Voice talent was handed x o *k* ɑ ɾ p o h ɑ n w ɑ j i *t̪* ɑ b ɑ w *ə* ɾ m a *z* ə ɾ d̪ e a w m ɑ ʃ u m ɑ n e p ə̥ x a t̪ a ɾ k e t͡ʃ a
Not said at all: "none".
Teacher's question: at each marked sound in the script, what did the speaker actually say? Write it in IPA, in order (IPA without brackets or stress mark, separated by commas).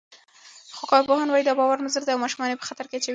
k, d̪, a, z